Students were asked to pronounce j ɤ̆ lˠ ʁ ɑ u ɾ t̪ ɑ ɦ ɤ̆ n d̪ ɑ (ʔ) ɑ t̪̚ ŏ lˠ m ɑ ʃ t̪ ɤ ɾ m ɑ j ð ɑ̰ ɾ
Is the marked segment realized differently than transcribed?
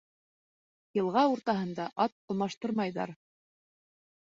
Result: no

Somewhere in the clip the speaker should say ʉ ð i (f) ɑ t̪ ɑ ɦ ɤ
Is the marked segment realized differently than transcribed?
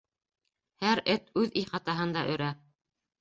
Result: yes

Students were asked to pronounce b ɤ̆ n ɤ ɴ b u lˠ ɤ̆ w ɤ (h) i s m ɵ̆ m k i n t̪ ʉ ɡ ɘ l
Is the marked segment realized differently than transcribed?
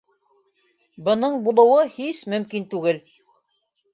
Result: no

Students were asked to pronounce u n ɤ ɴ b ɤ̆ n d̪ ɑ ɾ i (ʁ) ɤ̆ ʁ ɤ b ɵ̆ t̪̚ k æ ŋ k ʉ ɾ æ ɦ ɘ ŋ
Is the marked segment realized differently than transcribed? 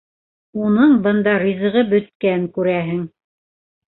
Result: yes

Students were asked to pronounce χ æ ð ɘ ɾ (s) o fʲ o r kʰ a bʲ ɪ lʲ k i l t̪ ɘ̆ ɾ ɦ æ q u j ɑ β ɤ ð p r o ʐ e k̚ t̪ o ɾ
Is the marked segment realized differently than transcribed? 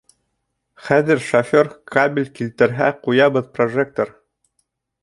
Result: yes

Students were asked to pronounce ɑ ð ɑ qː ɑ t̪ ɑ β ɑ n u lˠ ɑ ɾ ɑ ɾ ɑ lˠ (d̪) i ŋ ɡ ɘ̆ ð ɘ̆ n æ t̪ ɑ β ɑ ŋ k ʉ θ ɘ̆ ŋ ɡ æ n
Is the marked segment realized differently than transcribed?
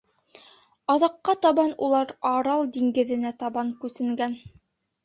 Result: no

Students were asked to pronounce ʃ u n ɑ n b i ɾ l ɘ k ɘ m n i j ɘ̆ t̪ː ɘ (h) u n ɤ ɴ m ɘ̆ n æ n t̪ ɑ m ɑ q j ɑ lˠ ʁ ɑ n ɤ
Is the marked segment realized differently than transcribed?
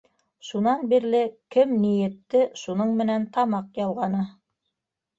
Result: yes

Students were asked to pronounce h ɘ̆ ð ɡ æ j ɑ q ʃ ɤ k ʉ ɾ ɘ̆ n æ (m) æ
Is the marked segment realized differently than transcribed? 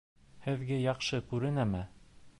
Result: no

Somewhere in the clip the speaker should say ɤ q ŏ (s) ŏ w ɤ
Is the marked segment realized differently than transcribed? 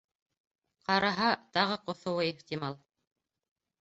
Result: yes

